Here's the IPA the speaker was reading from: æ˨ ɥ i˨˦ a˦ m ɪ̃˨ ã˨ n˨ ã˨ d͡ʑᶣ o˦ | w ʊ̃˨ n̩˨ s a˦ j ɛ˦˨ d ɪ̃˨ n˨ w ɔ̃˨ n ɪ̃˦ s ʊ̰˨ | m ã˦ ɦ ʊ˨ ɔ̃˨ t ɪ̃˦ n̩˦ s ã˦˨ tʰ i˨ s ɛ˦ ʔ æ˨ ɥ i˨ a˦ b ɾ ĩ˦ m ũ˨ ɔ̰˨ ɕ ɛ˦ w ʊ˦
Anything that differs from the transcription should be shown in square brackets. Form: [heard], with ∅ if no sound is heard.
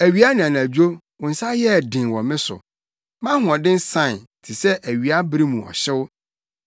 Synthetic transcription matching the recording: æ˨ ɥ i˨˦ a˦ [n] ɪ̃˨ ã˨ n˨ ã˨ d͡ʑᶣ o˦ | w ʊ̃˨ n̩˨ s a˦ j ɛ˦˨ d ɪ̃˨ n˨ w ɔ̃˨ [m] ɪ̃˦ s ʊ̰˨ | m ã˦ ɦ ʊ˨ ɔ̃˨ [d] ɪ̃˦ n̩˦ s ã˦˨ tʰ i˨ s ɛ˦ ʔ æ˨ ɥ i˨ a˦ b ɾ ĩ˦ m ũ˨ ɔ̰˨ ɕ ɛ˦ w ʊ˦